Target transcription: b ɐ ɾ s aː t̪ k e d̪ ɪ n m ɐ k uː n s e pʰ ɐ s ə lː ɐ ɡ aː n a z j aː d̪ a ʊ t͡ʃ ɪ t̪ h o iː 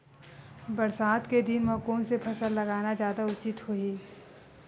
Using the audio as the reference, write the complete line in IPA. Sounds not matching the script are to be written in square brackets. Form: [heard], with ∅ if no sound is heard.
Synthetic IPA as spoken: b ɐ ɾ s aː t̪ k e d̪ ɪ n m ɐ k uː n s e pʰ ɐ s ə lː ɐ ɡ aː n a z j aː d̪ a ʊ t͡ʃ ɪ t̪ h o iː